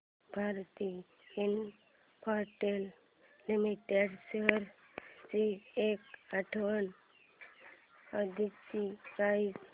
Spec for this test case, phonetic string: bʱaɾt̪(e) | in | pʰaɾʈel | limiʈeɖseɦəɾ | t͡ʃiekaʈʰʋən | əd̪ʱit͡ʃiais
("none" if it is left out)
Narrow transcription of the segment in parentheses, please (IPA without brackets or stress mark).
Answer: i